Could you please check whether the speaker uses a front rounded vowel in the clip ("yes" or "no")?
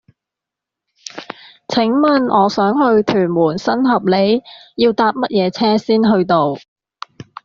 yes